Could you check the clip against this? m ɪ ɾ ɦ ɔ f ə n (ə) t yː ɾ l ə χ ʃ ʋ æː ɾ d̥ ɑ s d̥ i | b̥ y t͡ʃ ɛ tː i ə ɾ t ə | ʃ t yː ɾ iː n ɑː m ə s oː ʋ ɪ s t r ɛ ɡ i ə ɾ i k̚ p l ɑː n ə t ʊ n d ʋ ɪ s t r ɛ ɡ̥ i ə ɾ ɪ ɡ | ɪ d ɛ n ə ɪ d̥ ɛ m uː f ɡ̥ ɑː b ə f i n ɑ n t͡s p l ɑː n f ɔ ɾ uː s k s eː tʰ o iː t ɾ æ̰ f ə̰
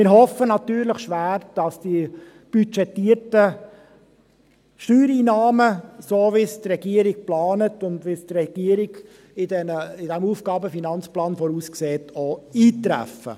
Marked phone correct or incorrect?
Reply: incorrect